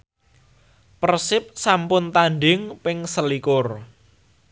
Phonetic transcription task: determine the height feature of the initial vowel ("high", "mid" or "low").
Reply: mid